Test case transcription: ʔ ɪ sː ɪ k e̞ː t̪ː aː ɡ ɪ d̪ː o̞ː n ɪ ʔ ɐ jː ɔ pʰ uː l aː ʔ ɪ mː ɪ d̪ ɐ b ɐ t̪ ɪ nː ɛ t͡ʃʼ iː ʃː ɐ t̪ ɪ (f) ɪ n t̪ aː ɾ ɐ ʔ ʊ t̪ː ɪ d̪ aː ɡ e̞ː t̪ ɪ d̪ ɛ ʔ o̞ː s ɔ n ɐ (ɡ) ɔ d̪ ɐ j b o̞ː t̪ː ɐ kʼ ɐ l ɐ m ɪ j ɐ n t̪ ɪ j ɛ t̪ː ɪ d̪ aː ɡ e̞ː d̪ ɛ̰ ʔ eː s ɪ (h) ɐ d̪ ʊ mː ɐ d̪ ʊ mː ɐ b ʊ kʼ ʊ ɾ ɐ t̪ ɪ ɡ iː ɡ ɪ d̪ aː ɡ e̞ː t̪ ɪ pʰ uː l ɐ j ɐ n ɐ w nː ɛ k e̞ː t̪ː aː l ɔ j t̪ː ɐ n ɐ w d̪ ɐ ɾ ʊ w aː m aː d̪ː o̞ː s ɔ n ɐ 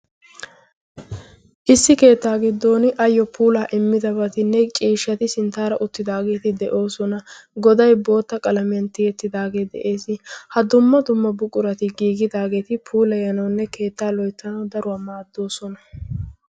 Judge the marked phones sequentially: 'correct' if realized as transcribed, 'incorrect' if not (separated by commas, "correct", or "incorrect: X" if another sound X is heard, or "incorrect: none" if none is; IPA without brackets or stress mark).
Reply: incorrect: s, correct, correct